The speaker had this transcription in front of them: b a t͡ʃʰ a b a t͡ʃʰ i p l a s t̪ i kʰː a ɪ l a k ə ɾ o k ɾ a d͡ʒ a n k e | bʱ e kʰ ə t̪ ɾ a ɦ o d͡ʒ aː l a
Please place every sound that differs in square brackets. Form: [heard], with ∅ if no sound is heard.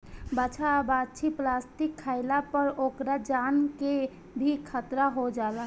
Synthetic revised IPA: b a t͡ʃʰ a b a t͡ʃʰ i p l a s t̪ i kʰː a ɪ l a [p] ə ɾ o k ɾ a d͡ʒ a n k e | bʱ [i] kʰ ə t̪ ɾ a ɦ o d͡ʒ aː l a